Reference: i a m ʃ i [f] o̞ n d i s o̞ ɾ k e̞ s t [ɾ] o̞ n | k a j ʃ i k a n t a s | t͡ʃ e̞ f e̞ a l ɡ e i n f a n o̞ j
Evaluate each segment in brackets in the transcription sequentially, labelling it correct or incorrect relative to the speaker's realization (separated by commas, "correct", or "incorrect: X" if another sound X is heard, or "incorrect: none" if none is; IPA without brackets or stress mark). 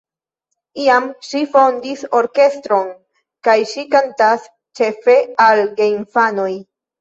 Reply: correct, correct